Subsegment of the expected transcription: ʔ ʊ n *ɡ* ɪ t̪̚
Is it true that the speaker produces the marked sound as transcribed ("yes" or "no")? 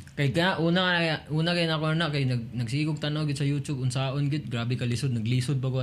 yes